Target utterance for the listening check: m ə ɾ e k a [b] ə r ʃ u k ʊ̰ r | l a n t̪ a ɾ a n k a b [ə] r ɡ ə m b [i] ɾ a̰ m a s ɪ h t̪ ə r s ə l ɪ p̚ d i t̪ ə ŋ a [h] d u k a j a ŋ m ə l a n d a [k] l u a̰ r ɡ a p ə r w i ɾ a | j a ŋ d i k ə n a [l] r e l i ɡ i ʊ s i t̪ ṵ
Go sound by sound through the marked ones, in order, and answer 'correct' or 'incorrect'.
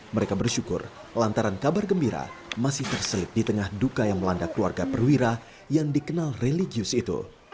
correct, incorrect, correct, correct, correct, correct

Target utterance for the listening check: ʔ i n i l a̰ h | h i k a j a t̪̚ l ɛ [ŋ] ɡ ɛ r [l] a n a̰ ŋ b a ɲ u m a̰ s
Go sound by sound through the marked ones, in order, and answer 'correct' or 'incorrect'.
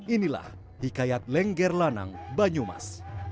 correct, correct

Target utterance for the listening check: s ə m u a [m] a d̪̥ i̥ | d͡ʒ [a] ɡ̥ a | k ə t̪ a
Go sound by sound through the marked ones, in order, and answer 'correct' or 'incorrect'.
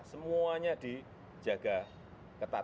incorrect, correct

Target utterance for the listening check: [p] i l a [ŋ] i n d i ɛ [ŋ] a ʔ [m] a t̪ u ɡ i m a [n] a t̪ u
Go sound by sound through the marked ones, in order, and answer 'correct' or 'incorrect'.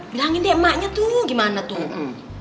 incorrect, correct, incorrect, incorrect, correct

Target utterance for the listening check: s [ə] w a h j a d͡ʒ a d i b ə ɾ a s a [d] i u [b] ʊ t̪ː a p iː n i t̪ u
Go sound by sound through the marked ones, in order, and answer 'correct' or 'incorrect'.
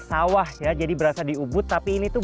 incorrect, correct, correct

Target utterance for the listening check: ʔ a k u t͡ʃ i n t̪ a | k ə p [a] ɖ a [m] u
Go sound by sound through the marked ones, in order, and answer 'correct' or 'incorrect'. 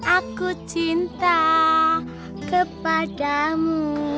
correct, correct

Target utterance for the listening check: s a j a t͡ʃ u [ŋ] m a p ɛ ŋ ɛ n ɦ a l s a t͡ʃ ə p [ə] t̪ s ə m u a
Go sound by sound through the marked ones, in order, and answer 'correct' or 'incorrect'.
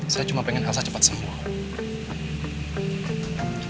incorrect, incorrect

